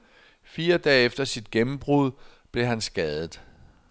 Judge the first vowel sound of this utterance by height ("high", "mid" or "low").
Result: high